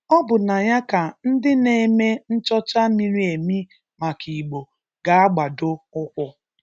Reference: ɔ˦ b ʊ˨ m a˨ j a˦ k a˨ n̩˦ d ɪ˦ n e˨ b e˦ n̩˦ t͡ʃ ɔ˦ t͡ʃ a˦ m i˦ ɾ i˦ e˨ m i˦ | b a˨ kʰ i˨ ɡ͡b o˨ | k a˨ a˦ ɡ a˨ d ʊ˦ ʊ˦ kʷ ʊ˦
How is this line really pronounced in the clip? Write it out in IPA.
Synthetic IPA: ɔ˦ b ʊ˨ n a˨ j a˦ k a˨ n̩˦ d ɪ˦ n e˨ m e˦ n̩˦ t͡ʃ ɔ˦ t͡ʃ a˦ m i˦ ɾ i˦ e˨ m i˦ | m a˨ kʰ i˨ ɡ͡b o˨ | ɡ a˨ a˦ ɡ͡b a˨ d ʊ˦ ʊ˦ kʷ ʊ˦